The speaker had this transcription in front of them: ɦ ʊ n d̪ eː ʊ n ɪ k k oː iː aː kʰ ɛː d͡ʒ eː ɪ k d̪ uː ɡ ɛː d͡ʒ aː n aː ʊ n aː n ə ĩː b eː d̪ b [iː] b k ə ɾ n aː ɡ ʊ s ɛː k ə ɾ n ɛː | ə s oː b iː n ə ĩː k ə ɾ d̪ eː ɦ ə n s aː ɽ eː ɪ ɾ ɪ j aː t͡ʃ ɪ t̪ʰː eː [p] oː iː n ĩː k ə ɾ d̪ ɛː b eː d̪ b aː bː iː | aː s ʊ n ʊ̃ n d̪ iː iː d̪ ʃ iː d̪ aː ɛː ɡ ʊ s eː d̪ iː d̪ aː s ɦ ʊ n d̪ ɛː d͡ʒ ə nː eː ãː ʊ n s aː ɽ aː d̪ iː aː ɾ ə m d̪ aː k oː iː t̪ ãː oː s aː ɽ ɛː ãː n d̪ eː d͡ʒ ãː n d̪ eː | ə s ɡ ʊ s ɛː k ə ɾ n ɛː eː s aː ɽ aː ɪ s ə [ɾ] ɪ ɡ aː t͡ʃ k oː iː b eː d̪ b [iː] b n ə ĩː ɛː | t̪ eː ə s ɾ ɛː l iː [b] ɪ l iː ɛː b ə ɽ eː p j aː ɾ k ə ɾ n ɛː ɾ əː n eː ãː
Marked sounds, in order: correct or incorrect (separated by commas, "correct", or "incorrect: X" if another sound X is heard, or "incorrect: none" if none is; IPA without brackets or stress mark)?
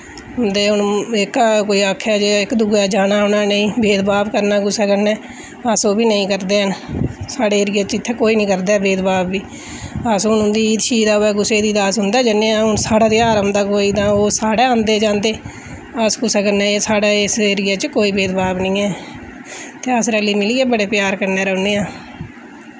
incorrect: aː, incorrect: k, correct, incorrect: aː, incorrect: m